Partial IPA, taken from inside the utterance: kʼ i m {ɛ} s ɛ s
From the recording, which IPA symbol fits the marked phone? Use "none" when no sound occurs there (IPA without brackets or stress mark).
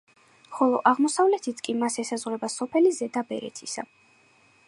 a